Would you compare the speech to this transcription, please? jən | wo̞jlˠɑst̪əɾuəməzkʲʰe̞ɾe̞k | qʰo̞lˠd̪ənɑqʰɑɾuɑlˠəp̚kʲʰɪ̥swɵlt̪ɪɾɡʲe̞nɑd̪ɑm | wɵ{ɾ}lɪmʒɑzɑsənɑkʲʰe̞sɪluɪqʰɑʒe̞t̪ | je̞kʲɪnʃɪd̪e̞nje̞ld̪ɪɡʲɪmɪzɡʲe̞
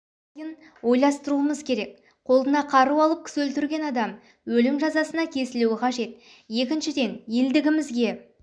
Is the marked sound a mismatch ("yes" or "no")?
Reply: yes